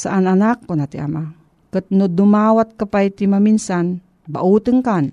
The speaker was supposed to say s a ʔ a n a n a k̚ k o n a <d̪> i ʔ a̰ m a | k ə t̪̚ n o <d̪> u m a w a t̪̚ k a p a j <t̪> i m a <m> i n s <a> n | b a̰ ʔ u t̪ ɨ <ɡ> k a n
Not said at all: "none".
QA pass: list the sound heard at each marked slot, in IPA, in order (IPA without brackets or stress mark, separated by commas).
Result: t̪, d̪, t̪, m, a, ŋ